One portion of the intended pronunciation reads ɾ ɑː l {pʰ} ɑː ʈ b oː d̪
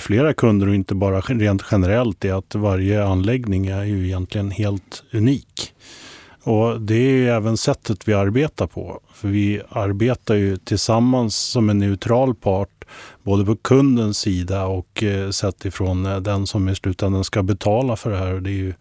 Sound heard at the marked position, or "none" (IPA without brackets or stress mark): pʰ